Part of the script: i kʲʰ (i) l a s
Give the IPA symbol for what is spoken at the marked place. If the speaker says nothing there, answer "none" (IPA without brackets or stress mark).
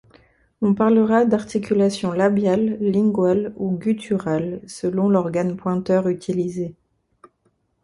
y